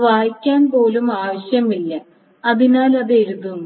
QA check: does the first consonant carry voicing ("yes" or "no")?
yes